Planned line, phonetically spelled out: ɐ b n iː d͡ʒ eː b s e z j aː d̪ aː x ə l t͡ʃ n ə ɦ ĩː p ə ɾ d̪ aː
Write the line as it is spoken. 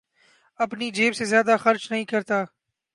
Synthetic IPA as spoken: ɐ p n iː d͡ʒ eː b s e z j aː d̪ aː x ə ɾ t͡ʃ n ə ɦ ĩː k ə ɾ t̪ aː